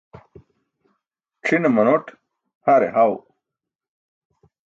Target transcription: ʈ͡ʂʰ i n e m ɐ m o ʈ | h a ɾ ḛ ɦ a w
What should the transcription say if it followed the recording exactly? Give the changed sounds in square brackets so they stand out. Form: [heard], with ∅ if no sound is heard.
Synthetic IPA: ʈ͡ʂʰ i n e m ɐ [n] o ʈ | h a ɾ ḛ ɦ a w